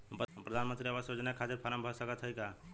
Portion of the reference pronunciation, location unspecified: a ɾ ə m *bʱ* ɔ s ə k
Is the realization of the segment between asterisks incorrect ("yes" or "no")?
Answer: no